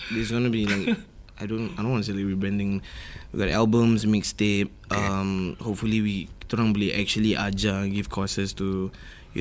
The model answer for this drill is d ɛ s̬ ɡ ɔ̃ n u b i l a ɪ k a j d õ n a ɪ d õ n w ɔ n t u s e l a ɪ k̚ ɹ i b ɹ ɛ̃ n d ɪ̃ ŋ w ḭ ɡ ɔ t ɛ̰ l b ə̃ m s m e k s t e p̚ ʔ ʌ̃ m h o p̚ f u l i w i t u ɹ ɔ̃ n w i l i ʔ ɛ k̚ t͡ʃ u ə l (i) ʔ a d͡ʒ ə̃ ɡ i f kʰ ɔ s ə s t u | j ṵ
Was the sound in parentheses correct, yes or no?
yes